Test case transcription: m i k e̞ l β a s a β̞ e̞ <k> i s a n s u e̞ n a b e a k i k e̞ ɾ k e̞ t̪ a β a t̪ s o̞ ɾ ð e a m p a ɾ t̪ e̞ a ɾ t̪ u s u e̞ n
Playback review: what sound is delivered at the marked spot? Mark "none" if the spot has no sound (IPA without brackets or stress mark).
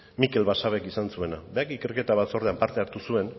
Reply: k